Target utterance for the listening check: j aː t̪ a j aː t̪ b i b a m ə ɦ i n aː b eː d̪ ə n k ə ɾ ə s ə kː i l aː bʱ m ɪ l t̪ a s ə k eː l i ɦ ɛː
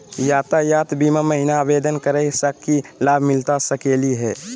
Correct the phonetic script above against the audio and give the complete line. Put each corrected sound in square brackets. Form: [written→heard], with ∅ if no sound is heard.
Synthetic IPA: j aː t̪ a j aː t̪ b i [b→m] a m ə ɦ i n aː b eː d̪ ə n k ə ɾ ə s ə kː i l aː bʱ m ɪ l t̪ a s ə k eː l i ɦ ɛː